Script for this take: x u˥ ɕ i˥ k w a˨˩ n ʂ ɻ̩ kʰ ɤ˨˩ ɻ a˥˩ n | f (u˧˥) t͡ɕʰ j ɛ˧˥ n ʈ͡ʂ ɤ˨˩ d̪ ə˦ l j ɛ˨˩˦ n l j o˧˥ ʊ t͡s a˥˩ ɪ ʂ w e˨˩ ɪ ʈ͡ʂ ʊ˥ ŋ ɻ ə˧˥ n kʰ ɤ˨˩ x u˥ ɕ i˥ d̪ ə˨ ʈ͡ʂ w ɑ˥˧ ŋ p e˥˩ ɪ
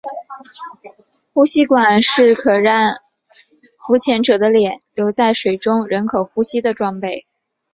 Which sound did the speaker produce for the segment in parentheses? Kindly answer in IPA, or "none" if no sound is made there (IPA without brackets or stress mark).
u˧˥